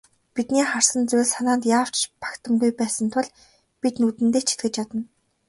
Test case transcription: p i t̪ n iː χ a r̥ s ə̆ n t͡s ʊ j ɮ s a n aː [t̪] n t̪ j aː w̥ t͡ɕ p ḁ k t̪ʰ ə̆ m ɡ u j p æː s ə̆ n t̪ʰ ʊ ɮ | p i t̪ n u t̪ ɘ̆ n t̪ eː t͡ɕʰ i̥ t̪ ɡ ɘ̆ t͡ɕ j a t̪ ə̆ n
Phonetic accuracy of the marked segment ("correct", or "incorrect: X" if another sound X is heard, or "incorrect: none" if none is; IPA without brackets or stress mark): incorrect: none